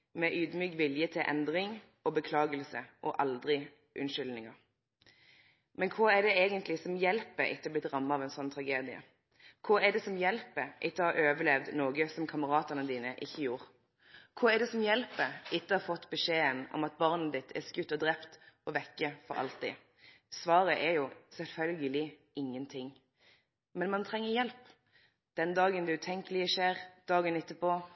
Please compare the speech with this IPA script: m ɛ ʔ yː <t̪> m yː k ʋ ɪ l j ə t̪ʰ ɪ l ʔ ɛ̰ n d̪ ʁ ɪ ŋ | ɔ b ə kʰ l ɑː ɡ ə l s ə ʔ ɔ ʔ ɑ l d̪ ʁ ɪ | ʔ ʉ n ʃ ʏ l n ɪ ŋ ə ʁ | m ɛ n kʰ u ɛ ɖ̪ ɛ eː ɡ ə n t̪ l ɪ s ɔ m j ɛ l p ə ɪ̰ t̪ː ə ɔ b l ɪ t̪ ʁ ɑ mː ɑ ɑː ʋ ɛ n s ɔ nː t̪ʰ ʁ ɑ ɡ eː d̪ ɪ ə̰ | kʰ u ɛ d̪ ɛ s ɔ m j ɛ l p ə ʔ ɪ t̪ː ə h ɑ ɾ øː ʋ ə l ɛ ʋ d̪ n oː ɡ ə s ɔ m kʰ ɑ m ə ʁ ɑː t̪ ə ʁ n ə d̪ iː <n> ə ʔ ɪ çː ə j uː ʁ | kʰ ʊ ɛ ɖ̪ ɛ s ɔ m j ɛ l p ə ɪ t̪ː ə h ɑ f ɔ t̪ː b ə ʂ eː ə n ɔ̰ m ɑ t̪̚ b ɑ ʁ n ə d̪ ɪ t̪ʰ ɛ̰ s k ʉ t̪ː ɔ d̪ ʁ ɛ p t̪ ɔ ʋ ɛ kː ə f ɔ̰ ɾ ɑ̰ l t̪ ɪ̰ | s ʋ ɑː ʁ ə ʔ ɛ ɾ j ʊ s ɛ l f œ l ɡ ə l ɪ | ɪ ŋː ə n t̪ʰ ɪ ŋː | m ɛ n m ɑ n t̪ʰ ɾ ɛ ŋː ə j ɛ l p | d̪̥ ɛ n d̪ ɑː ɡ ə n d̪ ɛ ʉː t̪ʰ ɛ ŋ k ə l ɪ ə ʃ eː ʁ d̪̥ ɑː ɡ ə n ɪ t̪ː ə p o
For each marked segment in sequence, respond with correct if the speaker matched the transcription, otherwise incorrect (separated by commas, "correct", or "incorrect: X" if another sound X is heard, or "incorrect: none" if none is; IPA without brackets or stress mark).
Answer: incorrect: d̪, correct